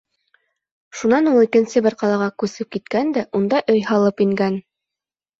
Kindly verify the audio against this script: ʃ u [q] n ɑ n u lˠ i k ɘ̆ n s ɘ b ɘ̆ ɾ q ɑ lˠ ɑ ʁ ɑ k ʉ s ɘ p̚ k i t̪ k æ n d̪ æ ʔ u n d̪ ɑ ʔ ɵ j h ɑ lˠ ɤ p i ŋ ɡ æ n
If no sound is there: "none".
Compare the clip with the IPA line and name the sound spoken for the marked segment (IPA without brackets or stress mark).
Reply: none